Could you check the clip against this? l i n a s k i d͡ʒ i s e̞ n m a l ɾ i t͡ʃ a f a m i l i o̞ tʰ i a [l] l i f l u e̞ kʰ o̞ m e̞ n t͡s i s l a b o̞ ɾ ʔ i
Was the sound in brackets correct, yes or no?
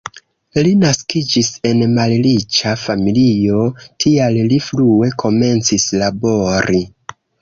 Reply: yes